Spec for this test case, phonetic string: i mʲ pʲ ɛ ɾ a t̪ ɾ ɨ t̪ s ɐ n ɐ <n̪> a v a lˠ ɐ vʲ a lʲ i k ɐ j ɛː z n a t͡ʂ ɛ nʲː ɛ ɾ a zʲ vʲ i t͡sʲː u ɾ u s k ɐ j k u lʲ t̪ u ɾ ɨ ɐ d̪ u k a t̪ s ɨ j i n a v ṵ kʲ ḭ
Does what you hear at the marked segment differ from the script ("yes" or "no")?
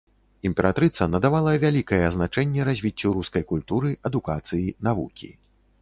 yes